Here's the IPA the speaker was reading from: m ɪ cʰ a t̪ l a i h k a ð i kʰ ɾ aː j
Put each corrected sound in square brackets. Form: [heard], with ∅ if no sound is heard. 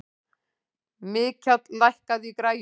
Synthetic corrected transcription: m [ɪː] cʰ a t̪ l a [j] h k a ð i [k] ɾ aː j